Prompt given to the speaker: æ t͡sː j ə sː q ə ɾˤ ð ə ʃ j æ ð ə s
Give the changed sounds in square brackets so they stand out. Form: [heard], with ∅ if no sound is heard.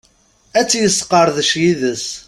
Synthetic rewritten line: æ t͡sː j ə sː q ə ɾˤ ð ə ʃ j [i] ð ə s